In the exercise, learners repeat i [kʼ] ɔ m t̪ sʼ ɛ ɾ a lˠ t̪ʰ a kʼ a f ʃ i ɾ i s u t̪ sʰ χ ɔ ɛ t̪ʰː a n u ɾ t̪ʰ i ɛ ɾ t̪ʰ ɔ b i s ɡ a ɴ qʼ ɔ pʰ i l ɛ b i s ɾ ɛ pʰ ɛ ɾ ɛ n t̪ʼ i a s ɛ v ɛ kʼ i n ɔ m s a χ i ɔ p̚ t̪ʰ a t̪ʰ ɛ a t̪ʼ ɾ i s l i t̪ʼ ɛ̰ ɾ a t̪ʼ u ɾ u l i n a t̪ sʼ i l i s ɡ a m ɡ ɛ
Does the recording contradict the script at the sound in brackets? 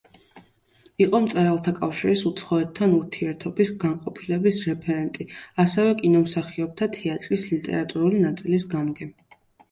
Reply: yes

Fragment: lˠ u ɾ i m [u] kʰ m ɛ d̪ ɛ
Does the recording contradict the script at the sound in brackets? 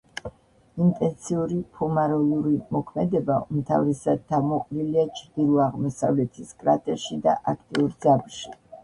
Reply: yes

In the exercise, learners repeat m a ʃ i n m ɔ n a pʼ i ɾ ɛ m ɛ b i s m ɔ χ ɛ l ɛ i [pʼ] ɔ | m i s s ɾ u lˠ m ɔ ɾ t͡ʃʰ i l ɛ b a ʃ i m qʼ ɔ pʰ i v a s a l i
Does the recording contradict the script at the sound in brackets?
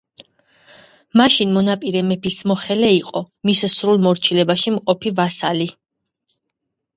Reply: yes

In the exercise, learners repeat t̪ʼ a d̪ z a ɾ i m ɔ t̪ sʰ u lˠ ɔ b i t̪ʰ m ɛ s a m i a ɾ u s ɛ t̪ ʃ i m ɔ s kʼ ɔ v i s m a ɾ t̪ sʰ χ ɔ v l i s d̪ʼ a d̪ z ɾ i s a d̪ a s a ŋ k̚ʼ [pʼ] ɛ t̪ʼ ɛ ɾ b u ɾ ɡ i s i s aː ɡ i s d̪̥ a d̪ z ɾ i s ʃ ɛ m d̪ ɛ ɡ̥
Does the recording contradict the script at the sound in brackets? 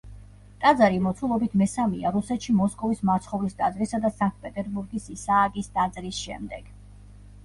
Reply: no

